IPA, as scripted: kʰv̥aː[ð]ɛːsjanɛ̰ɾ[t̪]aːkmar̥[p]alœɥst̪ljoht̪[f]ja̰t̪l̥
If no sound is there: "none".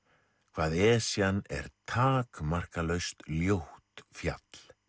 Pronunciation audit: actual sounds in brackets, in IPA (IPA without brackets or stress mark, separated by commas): ð, t̪ʰ, k, f